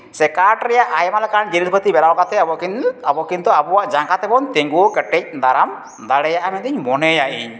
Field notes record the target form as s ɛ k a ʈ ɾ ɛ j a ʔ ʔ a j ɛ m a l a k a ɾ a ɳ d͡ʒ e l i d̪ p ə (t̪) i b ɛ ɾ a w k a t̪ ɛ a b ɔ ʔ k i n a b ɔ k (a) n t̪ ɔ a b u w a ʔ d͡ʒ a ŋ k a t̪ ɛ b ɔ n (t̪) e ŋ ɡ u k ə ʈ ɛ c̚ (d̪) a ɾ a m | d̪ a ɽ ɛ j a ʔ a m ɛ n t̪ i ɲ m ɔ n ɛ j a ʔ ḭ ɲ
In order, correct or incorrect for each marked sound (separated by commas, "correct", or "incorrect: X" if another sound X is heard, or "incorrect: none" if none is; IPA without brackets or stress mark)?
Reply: correct, incorrect: i, correct, correct